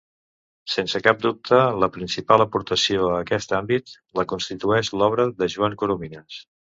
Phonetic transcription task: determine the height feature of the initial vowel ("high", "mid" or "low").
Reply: mid